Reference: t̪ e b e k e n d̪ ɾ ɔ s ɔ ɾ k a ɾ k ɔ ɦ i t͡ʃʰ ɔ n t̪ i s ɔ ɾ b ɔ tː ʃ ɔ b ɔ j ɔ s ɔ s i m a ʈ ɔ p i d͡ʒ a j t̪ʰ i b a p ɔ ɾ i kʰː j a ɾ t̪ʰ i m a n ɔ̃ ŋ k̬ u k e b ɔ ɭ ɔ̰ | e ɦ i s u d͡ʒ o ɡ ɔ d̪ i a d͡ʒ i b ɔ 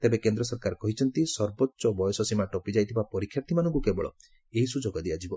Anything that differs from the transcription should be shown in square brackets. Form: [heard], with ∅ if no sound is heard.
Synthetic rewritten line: t̪ e b e k e n d̪ ɾ ɔ s ɔ ɾ k a ɾ k ɔ ɦ i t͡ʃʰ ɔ n t̪ i s ɔ ɾ b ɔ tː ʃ ɔ b ɔ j ɔ s ɔ s i m a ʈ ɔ p i d͡ʒ a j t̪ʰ i b a p ɔ ɾ i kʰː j a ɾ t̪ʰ i m a n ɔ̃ ŋ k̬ u k e b ɔ ɭ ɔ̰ | e ɦ i s u d͡ʒ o ɡ ɔ d̪ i a d͡ʒ i b ɔ